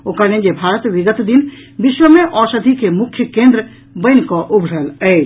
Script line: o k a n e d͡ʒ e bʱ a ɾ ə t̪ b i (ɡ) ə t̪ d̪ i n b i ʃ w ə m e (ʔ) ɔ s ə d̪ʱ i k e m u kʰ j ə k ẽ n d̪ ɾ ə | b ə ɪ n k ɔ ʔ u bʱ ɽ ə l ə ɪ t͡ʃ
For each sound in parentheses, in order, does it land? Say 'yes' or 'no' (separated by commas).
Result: yes, yes